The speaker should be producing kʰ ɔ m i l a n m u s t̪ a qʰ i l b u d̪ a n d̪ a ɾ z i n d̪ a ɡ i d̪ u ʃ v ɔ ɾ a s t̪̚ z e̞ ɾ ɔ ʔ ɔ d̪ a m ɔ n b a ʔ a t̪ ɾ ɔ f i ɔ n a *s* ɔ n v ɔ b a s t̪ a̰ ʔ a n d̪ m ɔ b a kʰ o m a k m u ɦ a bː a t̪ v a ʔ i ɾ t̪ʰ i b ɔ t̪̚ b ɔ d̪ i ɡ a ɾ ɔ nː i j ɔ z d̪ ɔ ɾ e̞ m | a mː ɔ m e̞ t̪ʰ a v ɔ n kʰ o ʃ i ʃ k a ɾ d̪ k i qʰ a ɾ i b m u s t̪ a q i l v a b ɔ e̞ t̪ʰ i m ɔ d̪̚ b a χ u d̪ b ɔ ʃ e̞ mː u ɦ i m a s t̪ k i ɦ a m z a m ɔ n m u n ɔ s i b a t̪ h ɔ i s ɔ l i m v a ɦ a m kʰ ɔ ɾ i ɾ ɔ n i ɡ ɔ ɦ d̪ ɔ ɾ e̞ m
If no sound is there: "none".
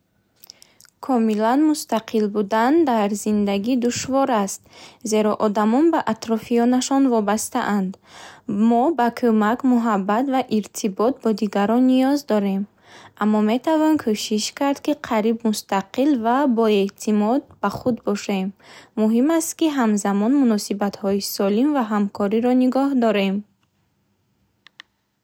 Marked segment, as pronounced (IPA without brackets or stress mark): ʃ